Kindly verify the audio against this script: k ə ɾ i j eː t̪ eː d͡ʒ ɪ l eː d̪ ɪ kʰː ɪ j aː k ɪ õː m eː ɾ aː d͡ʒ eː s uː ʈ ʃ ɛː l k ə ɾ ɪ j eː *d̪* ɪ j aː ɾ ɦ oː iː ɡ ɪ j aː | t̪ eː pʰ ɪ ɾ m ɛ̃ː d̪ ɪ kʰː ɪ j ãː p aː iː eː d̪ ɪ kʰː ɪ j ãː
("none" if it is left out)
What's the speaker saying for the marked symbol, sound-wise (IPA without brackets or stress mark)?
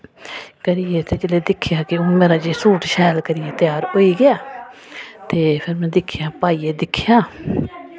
t̪